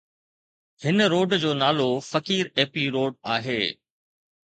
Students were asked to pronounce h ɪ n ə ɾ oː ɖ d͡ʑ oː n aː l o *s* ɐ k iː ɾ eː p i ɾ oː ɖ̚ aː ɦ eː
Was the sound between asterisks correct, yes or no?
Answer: no